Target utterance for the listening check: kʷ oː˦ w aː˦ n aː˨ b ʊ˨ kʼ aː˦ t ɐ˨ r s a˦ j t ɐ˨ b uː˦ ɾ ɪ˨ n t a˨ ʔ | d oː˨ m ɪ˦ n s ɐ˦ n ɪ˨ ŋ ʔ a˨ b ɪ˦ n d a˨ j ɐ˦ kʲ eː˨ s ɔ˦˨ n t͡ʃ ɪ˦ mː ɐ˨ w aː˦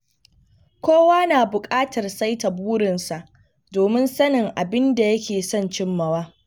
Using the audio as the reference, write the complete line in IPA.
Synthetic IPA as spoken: kʷ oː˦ w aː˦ n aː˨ b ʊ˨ kʼ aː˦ t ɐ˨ r s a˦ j t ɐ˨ b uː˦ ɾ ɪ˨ n s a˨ ʔ | d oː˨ m ɪ˦ n s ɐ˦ n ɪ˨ ŋ ʔ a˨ b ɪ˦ n d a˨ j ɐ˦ kʲ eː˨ s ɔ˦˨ n t͡ʃ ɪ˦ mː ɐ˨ w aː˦

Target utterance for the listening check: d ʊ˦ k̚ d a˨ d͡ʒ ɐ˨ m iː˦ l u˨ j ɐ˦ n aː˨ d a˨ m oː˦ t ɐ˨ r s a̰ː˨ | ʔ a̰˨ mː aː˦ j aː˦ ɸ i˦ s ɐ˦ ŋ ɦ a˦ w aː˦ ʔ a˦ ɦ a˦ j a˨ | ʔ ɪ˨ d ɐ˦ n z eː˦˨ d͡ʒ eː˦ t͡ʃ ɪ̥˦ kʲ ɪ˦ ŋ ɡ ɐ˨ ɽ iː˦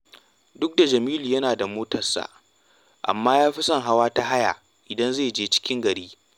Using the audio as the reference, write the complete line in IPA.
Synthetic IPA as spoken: d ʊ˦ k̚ d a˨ d͡ʒ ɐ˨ m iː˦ l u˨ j ɐ˦ n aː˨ d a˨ m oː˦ t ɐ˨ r s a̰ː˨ | ʔ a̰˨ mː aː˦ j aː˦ ɸ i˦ s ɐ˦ ŋ ɦ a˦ w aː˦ t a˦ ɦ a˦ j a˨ | ʔ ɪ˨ d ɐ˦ n z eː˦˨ d͡ʒ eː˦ t͡ʃ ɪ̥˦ kʲ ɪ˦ ŋ ɡ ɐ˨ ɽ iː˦

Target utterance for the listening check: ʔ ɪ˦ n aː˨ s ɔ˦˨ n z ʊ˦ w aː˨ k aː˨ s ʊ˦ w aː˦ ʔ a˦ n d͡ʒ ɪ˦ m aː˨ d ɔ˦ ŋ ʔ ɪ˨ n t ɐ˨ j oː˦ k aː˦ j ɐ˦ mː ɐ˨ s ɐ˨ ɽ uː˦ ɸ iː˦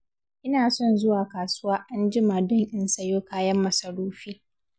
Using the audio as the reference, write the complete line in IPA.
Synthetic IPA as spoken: ʔ ɪ˦ n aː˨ s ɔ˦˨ n z ʊ˦ w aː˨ k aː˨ s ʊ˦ w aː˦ ʔ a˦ n d͡ʒ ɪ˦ m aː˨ d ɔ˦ ŋ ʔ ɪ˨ n s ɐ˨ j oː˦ k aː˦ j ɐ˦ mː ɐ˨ s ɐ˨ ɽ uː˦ ɸ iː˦

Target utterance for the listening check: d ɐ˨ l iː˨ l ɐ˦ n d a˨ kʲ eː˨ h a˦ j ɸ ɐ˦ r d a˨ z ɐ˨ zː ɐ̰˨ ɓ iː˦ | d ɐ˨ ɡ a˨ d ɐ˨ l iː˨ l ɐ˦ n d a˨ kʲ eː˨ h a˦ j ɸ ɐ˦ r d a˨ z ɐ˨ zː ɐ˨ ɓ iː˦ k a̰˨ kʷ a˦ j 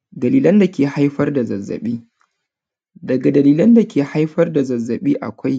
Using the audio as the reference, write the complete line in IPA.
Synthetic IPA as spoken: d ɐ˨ l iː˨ l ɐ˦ n d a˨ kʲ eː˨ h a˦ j ɸ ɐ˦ r d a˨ z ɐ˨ zː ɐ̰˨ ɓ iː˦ | d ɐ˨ ɡ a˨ d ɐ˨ l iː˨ l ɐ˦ n d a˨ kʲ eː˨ h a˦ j ɸ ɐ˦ r d a˨ z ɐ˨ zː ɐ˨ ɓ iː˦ ʔ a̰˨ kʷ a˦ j

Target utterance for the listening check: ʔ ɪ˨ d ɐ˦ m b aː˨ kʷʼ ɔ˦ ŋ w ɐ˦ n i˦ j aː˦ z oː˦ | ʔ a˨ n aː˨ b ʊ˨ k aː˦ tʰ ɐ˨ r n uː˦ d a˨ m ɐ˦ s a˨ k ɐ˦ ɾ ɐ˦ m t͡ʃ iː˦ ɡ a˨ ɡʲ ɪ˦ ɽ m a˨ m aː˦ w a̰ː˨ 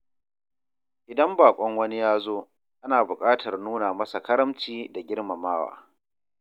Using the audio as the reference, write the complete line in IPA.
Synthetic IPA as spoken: ʔ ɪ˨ d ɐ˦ m b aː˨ kʷʼ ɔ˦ ŋ w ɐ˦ n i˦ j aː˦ z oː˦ | ʔ a˦ n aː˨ b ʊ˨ kʼ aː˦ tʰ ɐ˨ r n uː˦ n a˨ m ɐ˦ s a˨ k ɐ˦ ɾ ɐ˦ m t͡ʃ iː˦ d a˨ ɡʲ ɪ˦ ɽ m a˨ m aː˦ w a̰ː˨

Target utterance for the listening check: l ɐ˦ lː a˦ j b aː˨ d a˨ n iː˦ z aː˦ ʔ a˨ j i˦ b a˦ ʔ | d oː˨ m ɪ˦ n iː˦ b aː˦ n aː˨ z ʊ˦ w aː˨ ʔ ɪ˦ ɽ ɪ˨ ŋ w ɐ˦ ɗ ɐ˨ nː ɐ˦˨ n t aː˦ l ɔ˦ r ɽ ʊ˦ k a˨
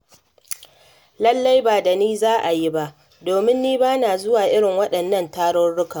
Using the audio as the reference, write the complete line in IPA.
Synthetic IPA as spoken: l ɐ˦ lː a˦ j b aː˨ d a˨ n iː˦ z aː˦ ʔ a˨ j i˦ b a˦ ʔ | d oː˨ m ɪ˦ nː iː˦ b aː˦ n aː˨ z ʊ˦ w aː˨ ʔ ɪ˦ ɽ ɪ˨ ŋ w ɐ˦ ɗ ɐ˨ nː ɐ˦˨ n t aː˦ ɽ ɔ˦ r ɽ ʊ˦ k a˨

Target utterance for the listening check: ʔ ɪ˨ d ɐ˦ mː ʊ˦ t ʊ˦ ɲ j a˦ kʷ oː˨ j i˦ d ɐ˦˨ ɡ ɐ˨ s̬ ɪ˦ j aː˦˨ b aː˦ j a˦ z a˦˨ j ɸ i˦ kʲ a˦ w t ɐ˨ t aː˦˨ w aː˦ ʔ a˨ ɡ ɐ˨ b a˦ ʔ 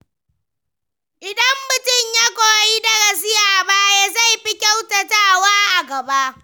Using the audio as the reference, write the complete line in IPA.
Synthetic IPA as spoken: ʔ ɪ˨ d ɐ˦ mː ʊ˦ t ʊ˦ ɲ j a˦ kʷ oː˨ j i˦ d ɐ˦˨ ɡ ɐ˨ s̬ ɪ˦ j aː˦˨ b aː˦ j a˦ z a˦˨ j ɸ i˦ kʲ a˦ w t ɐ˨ t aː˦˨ w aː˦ ʔ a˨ ɡ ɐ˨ b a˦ ʔ

